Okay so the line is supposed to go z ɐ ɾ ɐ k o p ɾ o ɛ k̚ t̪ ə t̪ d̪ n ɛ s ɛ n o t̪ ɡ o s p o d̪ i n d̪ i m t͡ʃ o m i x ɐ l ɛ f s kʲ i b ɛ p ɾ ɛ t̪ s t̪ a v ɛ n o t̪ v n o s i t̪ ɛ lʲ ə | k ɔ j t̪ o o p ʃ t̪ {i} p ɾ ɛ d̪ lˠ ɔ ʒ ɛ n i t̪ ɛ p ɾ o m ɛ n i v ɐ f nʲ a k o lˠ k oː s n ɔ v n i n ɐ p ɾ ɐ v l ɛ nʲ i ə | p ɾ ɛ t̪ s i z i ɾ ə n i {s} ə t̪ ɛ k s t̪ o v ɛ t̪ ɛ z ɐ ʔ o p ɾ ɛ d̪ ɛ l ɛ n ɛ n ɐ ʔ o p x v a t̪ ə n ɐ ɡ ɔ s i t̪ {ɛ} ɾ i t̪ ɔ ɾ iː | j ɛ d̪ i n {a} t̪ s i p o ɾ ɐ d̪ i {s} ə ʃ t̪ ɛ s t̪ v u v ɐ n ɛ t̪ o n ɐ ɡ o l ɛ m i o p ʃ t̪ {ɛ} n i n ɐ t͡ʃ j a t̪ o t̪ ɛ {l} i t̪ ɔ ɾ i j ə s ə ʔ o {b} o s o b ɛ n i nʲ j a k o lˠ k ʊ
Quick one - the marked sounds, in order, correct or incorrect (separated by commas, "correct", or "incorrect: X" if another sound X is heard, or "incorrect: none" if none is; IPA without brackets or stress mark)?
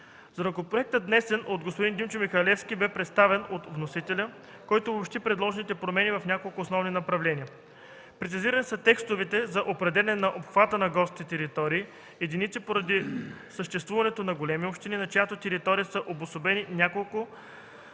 correct, correct, correct, incorrect: i, correct, incorrect: i, incorrect: ɾ, correct